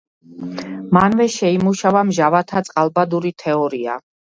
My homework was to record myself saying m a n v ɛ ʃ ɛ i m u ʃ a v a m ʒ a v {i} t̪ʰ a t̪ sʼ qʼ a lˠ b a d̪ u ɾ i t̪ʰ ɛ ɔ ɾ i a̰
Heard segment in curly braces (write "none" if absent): a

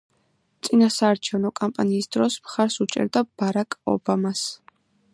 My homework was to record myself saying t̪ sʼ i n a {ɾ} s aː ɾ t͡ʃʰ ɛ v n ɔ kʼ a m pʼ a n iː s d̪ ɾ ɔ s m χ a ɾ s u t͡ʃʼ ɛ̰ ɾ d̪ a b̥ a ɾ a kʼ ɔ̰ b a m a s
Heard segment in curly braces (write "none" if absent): none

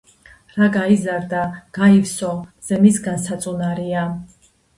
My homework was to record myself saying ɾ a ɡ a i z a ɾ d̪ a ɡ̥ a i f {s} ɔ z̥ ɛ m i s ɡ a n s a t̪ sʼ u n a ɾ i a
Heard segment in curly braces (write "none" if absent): s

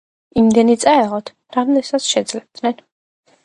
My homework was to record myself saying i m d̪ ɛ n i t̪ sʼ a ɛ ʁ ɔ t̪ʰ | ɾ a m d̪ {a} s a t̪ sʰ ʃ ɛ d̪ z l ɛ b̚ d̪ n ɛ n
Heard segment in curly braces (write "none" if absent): ɛ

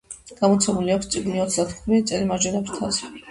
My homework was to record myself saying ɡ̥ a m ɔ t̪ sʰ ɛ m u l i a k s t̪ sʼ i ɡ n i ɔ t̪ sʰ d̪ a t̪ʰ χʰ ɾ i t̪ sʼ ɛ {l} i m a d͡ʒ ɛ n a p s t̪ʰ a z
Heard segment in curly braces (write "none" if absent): l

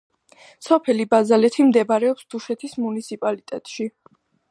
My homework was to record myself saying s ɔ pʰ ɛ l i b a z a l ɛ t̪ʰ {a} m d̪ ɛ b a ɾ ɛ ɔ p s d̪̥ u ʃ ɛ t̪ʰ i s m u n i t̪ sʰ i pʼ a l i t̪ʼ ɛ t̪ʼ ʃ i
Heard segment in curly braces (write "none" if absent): i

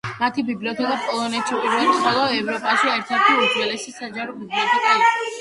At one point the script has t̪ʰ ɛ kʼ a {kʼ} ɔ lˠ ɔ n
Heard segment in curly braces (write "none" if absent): pʼ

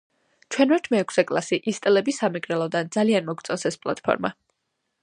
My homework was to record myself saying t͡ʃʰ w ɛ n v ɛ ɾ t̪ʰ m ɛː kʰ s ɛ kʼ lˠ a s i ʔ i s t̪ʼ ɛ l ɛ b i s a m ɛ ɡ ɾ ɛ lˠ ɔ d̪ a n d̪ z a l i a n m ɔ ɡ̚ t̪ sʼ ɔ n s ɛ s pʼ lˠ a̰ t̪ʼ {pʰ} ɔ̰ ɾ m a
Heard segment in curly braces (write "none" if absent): pʰ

